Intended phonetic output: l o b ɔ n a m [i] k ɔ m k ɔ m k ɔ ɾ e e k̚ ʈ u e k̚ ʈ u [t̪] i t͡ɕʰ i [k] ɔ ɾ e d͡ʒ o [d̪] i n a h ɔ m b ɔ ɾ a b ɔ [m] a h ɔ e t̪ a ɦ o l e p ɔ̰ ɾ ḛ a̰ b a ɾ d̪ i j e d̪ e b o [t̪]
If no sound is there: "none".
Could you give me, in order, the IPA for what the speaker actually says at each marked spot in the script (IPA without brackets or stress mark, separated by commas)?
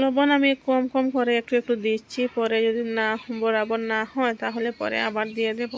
i, d̪, p, d̪, n, none